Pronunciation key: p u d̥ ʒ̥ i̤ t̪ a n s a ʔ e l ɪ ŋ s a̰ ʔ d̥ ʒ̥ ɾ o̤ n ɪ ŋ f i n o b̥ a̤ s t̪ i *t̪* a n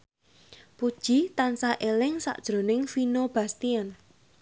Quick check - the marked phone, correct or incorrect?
incorrect